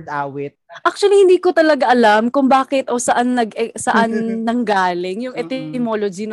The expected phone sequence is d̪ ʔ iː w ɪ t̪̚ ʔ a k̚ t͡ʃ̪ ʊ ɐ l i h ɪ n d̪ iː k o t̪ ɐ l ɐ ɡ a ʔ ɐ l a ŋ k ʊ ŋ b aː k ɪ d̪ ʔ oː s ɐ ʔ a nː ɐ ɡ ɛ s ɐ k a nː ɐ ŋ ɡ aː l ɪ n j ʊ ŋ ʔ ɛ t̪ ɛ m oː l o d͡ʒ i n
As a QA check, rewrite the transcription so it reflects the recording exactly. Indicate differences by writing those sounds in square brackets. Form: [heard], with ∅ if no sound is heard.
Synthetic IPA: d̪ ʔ [aː] w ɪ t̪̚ ʔ a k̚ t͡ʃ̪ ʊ ɐ l i h ɪ n d̪ iː k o t̪ ɐ l ɐ ɡ a ʔ ɐ l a [m] k ʊ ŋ b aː k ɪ [t̪] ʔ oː s ɐ ʔ a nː ɐ ɡ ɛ s ɐ [ʔ] a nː ɐ ŋ ɡ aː l ɪ [ŋ] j ʊ ŋ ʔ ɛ t̪ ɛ m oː l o d͡ʒ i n